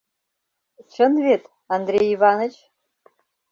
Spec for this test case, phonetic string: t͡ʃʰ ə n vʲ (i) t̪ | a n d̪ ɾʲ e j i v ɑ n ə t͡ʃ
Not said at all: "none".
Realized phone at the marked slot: e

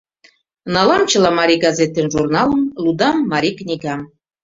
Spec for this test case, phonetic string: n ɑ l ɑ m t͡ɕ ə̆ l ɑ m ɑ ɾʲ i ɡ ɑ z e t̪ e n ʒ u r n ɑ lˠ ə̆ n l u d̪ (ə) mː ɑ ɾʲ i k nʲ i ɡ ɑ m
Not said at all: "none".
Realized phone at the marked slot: ɑ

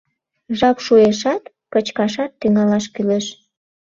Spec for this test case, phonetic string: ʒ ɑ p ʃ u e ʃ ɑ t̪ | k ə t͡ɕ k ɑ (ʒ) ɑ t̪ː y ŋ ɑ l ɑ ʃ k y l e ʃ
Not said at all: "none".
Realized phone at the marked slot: ʃ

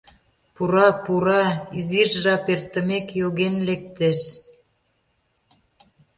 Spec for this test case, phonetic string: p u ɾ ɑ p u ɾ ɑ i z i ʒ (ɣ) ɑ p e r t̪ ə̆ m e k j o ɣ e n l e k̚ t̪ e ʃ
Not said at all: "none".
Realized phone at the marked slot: ʒ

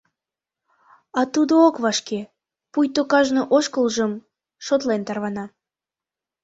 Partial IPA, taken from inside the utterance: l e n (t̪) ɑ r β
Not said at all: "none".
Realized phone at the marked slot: t̪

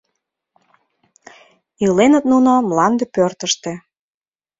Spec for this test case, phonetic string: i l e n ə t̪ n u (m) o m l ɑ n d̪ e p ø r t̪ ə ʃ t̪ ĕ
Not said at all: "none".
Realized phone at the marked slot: n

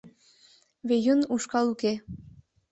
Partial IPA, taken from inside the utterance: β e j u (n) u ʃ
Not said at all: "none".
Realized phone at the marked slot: n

